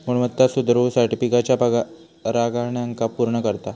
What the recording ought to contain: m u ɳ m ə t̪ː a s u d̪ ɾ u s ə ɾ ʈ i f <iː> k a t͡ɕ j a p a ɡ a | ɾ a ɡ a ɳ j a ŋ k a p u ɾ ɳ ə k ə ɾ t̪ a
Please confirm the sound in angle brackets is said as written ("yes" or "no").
no